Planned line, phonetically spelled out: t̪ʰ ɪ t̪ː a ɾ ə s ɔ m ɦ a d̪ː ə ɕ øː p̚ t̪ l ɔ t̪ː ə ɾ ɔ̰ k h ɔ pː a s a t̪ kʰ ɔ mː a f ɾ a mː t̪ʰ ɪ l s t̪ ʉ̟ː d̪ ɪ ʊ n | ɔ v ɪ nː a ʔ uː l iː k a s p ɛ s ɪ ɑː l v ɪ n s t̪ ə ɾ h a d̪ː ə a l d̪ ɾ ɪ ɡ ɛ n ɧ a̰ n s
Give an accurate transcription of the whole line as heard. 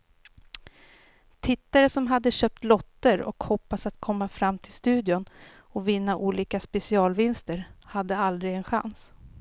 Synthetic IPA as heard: t̪ʰ ɪ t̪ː a ɾ ə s ɔ m ɦ a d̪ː ə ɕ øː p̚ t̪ l ɔ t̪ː ə ɾ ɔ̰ k h ɔ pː a s a t̪ kʰ ɔ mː a f ɾ a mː t̪ʰ ɪ l s t̪ ʉ̟ː d̪ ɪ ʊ n | ɔ v ɪ nː a ʔ uː l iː k a s p ɛ s ɪ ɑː l v ɪ n s t̪ ə ɾ h a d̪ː ə a l d̪ ɾ ɪ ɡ ɛ n ɧ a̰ n s